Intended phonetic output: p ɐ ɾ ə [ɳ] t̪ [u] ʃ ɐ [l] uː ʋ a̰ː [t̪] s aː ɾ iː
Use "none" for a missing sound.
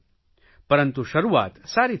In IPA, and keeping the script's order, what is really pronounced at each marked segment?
n, u, ɾ, t̪

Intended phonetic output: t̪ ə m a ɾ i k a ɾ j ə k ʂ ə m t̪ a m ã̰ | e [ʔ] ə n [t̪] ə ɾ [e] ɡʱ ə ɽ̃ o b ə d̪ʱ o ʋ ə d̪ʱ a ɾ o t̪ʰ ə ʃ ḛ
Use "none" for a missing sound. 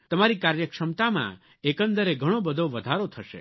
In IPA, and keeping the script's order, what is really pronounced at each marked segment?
k, d̪, e

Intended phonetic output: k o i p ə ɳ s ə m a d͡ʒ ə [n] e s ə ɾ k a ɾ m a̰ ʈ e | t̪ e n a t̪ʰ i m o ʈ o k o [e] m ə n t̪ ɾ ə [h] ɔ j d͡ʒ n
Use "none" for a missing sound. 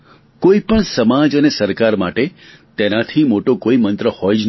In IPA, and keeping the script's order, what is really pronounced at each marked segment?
n, i, h

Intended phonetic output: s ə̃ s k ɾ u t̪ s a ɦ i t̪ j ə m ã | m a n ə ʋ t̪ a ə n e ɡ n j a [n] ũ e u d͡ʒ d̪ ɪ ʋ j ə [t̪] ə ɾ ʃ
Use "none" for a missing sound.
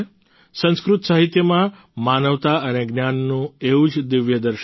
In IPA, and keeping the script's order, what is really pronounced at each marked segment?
nː, d̪

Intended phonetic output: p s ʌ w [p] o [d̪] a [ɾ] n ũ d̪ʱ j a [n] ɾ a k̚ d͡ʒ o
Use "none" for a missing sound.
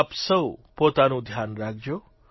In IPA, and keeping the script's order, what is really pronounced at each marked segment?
p, t̪, none, n

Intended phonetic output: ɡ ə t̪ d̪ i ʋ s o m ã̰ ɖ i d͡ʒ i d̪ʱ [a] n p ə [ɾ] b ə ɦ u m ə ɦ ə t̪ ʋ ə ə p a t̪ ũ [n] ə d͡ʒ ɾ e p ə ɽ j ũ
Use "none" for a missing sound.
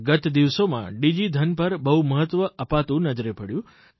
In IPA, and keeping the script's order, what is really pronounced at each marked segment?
ə, ɾ, n

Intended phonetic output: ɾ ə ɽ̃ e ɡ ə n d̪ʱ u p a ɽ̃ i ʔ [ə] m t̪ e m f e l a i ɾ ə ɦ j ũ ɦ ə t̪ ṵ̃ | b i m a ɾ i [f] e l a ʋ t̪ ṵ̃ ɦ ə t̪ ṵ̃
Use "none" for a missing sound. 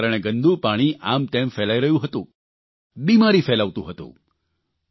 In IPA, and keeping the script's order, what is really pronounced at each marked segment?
a, f

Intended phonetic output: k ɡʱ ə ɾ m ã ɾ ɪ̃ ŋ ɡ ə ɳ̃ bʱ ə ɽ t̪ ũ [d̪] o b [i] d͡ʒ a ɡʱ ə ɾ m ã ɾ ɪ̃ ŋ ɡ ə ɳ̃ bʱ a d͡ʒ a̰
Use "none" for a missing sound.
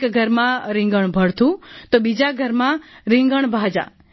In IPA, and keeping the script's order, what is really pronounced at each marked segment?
t̪, i

